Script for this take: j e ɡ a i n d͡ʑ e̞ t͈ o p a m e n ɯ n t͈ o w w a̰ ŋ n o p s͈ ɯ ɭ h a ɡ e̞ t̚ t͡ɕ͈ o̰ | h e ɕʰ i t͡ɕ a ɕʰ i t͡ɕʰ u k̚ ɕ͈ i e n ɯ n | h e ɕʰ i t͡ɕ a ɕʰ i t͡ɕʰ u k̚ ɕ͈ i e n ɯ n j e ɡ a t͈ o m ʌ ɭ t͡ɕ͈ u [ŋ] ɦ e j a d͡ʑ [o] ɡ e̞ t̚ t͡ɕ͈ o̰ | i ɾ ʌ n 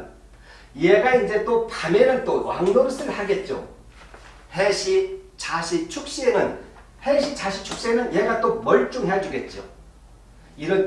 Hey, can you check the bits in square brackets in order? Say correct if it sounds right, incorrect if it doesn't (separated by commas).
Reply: correct, incorrect